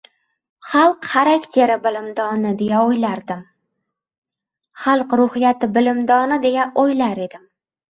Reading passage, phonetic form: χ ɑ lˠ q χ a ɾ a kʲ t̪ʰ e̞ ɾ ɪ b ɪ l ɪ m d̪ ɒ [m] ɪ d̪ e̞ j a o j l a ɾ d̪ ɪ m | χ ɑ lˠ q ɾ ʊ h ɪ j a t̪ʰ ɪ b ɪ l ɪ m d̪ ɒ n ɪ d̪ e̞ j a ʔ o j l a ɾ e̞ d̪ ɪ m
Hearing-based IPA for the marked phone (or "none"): n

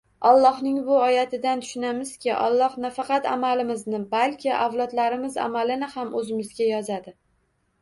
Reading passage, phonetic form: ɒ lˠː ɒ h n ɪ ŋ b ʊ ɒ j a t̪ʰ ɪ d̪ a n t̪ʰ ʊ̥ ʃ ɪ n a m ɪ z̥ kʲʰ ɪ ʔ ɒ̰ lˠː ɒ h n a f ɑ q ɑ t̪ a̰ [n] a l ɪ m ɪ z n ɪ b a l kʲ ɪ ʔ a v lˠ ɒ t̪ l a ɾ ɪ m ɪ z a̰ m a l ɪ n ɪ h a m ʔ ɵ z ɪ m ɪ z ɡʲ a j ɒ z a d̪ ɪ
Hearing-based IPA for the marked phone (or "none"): m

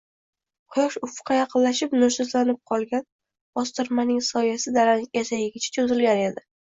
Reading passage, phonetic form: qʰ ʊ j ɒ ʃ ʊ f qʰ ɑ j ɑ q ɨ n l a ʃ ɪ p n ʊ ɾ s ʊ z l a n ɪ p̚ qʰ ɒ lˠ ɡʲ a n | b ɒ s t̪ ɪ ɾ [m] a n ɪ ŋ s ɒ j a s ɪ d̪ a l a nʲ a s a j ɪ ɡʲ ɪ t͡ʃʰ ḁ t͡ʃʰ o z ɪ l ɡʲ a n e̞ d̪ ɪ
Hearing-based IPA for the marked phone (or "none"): m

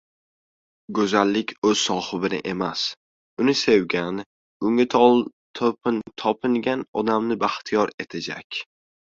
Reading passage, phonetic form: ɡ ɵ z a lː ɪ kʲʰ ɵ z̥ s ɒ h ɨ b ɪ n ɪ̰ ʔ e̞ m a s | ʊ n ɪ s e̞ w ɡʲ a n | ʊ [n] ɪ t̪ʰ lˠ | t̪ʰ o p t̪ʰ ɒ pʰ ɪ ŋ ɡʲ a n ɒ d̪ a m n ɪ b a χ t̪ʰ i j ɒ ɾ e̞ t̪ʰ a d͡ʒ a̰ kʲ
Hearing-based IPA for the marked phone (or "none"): ŋ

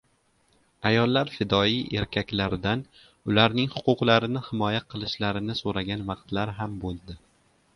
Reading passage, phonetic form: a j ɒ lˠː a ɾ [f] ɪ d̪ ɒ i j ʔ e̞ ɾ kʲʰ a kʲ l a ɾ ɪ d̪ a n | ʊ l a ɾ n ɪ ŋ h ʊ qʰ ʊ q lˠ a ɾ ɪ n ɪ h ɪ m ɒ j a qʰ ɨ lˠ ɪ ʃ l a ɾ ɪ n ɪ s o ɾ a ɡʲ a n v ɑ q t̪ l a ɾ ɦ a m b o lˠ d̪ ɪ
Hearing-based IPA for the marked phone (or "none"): f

